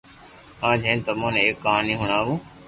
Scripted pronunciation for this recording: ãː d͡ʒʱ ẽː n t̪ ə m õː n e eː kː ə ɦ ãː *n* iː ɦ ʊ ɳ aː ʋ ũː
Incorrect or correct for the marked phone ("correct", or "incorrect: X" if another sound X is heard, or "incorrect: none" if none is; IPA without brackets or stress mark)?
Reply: correct